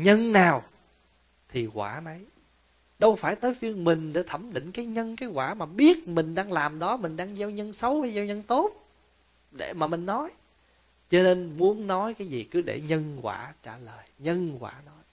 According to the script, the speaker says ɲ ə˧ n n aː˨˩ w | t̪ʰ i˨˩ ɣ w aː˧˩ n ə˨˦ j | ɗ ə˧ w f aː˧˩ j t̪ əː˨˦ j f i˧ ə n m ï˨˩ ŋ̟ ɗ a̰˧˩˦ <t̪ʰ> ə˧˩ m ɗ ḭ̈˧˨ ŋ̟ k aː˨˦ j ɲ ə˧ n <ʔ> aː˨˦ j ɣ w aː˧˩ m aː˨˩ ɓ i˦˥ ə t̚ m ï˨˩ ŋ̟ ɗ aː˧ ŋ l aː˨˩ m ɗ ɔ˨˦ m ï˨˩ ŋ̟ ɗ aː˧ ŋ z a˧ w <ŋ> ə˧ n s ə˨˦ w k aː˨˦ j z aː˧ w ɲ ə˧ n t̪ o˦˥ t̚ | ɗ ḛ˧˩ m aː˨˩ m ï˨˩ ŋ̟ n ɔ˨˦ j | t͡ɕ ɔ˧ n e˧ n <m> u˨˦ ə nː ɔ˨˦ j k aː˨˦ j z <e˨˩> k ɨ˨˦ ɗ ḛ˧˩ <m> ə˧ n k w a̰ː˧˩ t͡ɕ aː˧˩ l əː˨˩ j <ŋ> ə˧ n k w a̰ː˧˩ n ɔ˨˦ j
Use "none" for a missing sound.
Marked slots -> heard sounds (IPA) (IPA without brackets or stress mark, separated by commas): t̪ʰ, k, ɲ, m, i˨˩, ɲ, ɲ